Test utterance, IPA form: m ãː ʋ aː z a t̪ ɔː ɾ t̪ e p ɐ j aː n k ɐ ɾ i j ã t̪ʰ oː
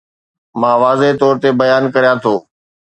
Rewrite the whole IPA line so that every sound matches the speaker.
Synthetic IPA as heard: m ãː ʋ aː z e t̪ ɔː ɾ t̪ e b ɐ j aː n k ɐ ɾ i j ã t̪ʰ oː